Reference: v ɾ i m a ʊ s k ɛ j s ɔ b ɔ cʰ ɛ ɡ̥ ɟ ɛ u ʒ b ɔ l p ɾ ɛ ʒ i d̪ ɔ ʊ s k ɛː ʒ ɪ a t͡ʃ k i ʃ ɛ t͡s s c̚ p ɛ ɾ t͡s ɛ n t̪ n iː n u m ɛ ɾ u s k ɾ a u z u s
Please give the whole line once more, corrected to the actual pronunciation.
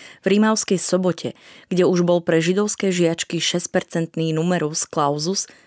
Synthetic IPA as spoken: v ɾ i m a ʊ s k ɛ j s ɔ b ɔ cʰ ɛ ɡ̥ ɟ ɛ u ʒ b ɔ l p ɾ ɛ ʒ i d̪ ɔ ʊ s k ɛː ʒ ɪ a t͡ʃ k i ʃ ɛ s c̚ p ɛ ɾ t͡s ɛ n t̪ n iː n u m ɛ ɾ u s k l a ʊ z u s